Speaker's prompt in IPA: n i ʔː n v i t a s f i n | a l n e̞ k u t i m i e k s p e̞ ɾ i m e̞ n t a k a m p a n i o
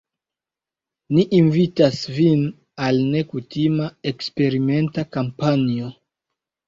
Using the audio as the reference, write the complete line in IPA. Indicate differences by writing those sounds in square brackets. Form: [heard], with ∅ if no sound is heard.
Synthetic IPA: n i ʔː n v i t a s [v] i n | a l n e̞ k u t i m [a] e k s p e̞ ɾ i m e̞ n t a k a m p a n i o